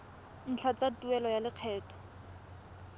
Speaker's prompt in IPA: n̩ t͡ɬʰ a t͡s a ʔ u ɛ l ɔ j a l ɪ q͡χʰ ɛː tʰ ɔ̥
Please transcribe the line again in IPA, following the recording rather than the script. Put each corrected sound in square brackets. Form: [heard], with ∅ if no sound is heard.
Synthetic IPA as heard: n̩ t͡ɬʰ a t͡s a [t] u ɛ l ɔ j a l ɪ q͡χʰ ɛː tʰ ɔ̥